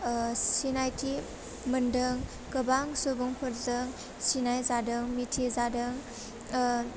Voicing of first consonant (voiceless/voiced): voiceless